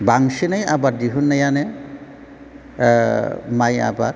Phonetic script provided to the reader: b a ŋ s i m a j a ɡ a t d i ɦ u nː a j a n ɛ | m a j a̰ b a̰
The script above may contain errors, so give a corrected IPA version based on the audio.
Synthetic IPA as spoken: b a ŋ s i n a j a b a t d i ɦ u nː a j a n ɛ | m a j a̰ b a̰

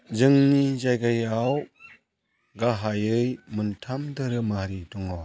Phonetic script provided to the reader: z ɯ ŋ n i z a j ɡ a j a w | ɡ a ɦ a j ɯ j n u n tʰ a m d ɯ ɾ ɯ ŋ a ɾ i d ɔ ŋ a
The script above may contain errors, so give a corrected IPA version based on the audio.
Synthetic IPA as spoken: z ɯ ŋ n i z a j ɡ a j a w | ɡ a ɦ a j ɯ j m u n tʰ a m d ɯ ɾ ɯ m a ɾ i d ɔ ŋ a

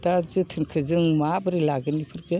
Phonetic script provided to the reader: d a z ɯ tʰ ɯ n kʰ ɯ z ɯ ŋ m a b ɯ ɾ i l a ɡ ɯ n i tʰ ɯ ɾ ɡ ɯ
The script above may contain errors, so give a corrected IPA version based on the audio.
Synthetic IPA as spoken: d a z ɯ tʰ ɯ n kʰ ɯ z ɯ ŋ m a b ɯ ɾ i l a ɡ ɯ n i pʰ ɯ ɾ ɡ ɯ

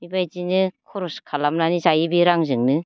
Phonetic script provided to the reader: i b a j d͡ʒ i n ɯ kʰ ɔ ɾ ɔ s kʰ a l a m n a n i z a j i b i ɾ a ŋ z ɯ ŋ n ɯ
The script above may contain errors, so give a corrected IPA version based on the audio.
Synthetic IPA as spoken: i b a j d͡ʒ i n ɯ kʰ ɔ ɾ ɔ s kʰ a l a m n a n i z a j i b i ɾ a ŋ z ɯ ŋ n ɯ

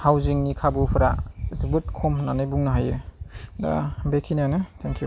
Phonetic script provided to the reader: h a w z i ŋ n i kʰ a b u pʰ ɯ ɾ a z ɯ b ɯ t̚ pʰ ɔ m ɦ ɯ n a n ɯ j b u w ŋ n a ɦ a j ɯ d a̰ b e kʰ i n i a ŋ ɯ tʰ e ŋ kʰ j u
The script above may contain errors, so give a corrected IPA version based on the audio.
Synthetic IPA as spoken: h a w z i ŋ n i kʰ a b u pʰ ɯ ɾ a z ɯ b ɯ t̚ kʰ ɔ m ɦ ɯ n a n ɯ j b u ŋ n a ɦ a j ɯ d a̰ b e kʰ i n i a n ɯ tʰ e ŋ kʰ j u

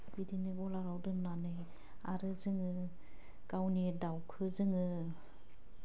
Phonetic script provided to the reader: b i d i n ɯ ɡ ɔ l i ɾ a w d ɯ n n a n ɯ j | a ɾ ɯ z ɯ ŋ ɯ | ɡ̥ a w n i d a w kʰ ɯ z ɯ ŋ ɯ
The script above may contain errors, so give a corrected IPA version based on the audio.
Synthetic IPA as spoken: b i d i n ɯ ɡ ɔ l a ɾ a w d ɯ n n a n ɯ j | a ɾ ɯ z ɯ ŋ ɯ | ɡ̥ a w n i d a w kʰ ɯ z ɯ ŋ ɯ

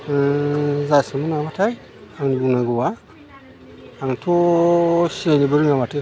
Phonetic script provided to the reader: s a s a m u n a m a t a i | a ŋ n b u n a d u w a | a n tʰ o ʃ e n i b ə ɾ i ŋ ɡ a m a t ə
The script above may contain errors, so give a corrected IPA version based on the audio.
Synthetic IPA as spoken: z a s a m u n a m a t a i | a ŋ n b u n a ɡ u w a | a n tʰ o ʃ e n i b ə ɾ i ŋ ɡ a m a t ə

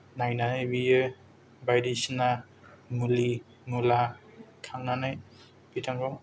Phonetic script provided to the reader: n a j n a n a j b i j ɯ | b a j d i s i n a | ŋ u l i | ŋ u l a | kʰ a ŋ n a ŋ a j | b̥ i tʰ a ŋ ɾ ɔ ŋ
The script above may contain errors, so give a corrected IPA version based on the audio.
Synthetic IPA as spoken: n a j n a n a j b i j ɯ | b a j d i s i n a | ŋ u l i | ŋ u l a | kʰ a ŋ n a n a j | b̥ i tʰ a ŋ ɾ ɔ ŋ

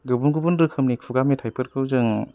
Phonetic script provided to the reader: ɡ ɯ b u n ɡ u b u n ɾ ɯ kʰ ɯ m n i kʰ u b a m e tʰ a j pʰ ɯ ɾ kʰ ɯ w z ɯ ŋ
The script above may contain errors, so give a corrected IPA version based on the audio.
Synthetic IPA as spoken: ɡ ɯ b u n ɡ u b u n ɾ ɯ kʰ ɯ m n i kʰ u ɡ a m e tʰ a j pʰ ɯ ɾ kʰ ɯ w z ɯ ŋ

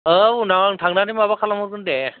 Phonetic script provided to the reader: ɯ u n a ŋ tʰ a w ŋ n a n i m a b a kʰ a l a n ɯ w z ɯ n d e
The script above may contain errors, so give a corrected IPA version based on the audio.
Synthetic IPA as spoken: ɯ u n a ŋ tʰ a ŋ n a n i m a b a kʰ a l a m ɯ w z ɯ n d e

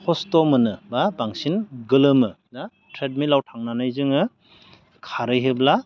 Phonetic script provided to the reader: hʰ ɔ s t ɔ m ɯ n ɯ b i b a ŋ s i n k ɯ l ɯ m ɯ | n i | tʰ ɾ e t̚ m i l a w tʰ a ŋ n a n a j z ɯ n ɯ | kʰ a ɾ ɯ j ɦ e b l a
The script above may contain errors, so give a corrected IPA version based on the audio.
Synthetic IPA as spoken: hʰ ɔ s t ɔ m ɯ n ɯ b a b a ŋ s i n ɡ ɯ l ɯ m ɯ | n a | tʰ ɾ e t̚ m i l a w tʰ a ŋ n a n a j z ɯ ŋ ɯ | kʰ a ɾ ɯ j ɦ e b l a

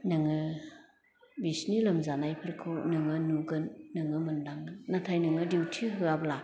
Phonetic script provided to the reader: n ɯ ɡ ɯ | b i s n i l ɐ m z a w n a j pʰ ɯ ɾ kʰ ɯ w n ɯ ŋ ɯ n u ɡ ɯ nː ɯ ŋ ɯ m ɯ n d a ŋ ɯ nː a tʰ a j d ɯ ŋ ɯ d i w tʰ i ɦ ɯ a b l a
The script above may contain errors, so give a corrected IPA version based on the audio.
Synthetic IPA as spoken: n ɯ ŋ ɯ | b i s n i l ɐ m z a n a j pʰ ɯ ɾ kʰ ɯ w n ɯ ŋ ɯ n u ɡ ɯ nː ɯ ŋ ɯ m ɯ n d a ŋ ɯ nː a tʰ a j n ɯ ŋ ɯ d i w tʰ i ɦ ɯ a b l a

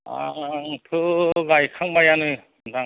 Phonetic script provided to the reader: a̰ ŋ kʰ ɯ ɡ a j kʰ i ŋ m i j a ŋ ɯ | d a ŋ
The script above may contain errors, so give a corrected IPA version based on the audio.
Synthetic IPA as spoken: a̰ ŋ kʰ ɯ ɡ a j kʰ a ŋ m a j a n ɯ | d a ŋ

